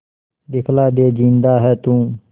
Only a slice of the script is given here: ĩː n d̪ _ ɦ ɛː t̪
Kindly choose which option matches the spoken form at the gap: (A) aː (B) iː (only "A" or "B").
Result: A